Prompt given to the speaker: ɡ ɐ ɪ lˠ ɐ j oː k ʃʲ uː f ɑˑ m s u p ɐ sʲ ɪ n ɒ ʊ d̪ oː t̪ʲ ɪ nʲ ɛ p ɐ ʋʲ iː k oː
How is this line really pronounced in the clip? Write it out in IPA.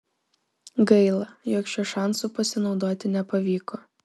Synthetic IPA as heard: ɡ ɐ ɪ lˠ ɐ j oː k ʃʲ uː ʃ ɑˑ n s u p ɐ sʲ ɪ n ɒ ʊ d̪ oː t̪ʲ ɪ nʲ ɛ p ɐ ʋʲ iː k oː